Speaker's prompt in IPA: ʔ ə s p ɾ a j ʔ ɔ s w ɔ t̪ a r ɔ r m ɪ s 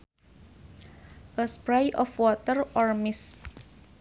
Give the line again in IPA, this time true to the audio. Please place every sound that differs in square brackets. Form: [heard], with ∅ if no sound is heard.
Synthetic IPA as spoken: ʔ ə s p ɾ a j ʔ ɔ [f] w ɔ t̪ [ə] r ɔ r m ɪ s